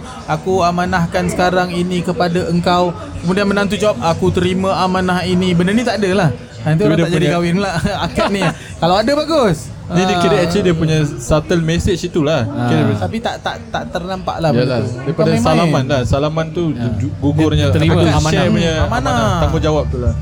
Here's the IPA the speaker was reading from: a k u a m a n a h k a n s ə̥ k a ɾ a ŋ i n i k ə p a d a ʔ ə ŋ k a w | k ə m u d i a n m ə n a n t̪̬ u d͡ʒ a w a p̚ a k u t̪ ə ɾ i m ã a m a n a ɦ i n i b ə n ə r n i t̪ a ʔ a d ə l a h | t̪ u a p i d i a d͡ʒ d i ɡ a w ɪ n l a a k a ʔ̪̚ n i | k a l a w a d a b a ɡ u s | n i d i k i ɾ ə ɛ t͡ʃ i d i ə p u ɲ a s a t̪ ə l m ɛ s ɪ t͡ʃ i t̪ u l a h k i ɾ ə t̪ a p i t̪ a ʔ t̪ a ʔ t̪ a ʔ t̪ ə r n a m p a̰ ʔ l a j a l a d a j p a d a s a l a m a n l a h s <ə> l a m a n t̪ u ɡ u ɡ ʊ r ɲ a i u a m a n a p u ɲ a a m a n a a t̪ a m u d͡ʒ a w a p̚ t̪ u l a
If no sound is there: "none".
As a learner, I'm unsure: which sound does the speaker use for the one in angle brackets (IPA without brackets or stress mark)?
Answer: a